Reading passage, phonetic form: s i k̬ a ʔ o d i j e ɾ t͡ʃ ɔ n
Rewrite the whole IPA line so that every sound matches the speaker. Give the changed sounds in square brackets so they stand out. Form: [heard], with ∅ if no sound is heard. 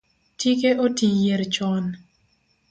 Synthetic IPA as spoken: [t] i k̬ [e] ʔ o [t] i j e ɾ t͡ʃ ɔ n